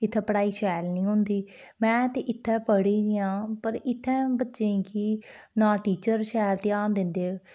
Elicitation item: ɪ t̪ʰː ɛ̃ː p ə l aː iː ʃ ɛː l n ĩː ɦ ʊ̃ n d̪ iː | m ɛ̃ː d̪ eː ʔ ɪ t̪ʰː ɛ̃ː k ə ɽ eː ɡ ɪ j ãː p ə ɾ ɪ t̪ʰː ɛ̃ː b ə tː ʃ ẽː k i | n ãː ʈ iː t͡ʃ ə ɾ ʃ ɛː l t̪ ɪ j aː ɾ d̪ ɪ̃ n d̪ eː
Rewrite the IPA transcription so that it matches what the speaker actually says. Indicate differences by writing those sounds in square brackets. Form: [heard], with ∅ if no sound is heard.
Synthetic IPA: ɪ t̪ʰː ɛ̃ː p ə [ɽ] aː iː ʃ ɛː l n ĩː ɦ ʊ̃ n d̪ iː | m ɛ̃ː [t̪] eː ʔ ɪ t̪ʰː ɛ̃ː [p] ə ɽ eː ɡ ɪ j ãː p ə ɾ ɪ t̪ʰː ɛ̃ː b ə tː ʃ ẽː k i | n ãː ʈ iː t͡ʃ ə ɾ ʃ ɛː l t̪ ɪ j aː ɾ d̪ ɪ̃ n d̪ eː